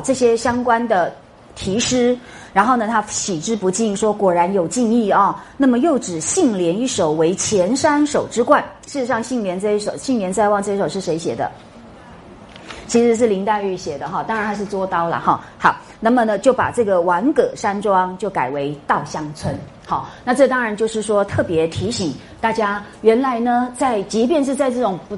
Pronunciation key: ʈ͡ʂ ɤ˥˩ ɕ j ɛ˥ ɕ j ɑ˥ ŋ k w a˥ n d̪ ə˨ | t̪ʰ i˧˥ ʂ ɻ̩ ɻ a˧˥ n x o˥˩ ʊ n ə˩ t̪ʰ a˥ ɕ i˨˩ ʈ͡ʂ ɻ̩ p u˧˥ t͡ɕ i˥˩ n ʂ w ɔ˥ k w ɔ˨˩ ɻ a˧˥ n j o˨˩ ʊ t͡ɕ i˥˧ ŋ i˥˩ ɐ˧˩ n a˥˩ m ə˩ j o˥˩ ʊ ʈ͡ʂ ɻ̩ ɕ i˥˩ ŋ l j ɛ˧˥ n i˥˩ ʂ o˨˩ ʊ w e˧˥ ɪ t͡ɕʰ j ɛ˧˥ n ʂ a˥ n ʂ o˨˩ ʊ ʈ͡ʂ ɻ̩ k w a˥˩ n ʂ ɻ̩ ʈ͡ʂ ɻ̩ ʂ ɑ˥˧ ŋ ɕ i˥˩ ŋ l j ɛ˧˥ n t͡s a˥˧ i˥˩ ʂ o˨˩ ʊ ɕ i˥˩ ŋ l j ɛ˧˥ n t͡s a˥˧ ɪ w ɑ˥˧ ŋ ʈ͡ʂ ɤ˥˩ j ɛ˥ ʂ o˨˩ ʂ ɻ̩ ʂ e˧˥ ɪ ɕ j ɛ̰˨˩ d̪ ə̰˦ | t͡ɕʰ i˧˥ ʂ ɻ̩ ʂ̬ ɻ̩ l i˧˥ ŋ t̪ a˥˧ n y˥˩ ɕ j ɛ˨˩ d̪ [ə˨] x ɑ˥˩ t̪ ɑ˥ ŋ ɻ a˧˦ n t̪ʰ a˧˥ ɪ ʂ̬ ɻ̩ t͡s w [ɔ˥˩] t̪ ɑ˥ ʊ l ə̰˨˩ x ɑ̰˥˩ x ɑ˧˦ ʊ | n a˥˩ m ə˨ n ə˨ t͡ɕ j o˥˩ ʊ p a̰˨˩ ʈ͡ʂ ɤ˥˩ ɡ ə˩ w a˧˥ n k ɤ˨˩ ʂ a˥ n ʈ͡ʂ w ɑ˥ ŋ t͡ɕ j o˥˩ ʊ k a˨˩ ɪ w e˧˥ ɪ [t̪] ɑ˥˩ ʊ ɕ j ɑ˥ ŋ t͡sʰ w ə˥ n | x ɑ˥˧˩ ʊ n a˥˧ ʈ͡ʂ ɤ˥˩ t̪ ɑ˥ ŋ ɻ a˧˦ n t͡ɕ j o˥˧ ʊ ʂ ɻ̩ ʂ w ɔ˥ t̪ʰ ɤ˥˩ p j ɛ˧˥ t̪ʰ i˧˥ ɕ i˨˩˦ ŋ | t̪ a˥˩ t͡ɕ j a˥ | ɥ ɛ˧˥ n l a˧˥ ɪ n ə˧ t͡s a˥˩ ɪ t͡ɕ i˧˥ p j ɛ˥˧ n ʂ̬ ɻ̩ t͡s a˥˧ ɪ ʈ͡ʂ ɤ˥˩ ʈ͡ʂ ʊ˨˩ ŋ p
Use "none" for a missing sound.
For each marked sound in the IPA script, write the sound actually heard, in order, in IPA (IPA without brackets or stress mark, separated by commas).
ə˦, ɔ˥, t̪